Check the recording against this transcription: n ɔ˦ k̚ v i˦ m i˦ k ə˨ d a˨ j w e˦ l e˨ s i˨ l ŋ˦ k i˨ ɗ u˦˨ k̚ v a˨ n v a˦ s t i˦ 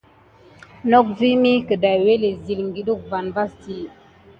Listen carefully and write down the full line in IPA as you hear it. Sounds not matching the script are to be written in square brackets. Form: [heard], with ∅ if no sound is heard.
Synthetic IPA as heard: n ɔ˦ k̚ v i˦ m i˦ k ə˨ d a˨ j w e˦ l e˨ [z] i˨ l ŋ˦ [ɡ] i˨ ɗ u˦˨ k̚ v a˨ n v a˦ s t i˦